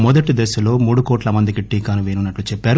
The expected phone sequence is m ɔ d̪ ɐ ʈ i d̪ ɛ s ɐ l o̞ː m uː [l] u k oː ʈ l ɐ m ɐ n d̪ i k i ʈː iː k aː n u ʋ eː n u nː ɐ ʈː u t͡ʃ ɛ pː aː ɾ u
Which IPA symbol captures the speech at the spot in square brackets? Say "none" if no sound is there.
ɽ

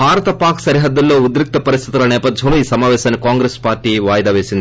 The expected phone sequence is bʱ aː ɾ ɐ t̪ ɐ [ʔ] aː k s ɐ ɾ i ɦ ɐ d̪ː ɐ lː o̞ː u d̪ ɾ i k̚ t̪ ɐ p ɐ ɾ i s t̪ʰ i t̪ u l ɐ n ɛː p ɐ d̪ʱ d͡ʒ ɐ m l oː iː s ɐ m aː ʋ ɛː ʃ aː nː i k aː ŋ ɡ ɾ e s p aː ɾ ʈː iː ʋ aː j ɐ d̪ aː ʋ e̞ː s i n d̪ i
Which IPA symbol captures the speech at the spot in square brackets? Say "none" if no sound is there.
p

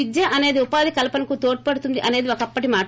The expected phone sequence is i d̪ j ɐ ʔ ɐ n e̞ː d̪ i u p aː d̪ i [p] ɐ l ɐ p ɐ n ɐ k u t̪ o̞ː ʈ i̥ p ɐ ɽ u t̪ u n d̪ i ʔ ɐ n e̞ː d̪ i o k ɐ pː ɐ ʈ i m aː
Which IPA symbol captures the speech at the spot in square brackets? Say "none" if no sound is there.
k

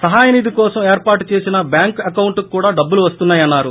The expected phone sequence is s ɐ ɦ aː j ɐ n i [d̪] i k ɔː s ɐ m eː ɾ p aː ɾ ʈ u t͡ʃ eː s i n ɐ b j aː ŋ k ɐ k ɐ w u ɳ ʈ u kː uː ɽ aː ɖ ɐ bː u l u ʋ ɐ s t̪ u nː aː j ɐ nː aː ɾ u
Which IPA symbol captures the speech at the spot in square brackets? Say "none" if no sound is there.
d̪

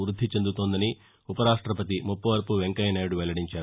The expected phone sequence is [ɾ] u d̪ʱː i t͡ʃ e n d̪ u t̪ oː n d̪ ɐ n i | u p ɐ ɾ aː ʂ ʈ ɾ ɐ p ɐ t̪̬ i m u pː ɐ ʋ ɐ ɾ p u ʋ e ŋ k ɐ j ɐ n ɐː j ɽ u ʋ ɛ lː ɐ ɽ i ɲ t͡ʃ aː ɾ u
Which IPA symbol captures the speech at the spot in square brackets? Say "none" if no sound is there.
ɾ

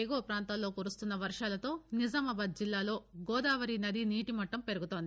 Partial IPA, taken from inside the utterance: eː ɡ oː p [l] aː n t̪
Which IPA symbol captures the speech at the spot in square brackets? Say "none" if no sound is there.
ɾ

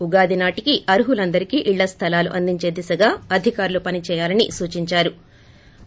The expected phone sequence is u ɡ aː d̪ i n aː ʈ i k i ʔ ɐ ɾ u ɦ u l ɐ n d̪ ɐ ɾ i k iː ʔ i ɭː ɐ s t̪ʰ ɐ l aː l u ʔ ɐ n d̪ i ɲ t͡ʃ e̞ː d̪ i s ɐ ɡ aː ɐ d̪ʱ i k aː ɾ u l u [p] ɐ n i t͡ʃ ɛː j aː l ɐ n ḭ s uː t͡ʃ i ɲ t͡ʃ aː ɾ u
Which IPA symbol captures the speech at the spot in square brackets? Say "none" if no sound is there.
p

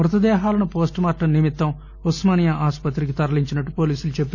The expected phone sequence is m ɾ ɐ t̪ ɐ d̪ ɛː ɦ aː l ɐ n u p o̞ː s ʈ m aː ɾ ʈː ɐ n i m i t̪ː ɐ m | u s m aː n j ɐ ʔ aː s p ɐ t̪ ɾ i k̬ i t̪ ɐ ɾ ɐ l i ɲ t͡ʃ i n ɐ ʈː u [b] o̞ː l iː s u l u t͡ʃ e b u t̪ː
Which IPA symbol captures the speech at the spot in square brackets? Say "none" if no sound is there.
p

